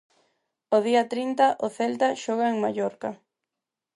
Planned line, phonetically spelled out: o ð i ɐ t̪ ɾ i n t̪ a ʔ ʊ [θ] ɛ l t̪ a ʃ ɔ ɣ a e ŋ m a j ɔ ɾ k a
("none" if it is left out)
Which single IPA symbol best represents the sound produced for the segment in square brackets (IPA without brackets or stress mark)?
θ